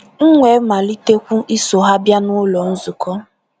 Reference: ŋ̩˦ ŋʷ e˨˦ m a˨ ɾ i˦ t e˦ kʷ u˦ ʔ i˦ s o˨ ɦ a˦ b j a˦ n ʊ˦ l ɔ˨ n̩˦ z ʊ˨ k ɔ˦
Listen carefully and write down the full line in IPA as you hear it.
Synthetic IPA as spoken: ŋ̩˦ ŋʷ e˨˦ m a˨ l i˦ t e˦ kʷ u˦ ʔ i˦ s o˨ ɦ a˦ b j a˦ n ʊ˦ l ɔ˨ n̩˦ z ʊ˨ k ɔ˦